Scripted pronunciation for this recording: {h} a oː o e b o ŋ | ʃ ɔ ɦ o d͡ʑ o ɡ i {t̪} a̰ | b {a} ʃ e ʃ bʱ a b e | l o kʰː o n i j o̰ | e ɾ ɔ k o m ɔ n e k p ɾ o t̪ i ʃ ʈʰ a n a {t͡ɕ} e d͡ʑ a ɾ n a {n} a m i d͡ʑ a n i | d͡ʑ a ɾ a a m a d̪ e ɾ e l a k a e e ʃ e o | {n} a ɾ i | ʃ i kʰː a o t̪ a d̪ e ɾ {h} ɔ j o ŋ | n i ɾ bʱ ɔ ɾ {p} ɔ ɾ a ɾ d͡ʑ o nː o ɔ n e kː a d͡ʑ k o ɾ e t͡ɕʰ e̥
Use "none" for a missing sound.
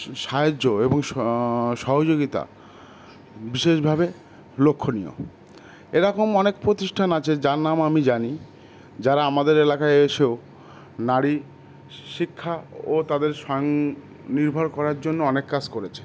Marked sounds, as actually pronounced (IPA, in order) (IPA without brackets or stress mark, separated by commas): ʃ, t̪, i, t͡ɕʰ, m, n, ʃ, k